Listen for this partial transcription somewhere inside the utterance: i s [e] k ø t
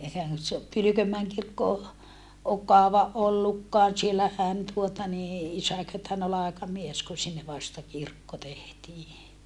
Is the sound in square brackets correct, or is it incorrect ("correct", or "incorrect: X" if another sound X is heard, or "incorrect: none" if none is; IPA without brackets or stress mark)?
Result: incorrect: æ